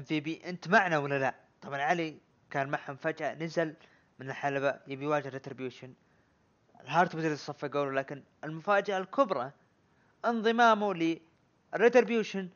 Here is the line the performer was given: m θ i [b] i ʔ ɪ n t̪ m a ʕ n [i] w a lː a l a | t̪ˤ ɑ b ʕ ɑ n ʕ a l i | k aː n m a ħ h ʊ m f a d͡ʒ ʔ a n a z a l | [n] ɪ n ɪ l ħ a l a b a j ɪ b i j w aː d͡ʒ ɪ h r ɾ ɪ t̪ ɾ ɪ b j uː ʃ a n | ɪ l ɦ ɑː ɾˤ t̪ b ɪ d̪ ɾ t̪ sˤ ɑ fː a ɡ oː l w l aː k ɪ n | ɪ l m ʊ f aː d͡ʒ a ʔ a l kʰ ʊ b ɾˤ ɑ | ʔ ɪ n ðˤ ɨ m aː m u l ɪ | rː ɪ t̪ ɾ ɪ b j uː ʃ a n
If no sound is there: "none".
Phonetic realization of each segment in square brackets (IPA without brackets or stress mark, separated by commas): b, a, m